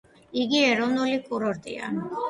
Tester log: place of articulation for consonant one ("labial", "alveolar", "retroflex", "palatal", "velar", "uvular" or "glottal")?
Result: velar